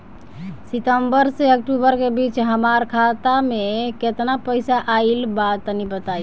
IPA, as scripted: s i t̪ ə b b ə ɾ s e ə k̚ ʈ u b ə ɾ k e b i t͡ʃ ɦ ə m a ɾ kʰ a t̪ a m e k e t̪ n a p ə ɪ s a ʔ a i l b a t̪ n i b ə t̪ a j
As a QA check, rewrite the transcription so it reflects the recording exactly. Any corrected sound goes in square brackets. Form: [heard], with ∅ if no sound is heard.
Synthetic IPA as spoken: s i t̪ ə [m] b ə ɾ s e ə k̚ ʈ u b ə ɾ k e b i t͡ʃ ɦ ə m a ɾ kʰ a t̪ a m e k e t̪ n a p ə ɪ s a ʔ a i l b a t̪ n i b ə t̪ a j